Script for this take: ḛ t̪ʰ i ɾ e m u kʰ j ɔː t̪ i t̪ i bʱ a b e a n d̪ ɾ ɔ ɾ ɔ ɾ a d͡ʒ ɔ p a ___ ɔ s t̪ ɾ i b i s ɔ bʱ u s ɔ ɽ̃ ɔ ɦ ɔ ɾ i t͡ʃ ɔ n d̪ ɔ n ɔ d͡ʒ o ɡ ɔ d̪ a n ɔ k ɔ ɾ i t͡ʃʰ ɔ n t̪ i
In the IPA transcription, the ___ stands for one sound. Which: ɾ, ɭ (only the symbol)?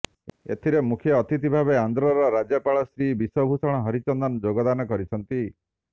ɭ